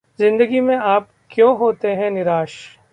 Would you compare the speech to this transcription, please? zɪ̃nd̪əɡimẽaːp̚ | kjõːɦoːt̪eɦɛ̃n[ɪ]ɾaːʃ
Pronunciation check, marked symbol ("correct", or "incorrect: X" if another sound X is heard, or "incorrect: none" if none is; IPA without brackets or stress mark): correct